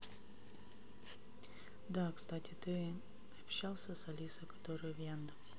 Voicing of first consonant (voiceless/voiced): voiced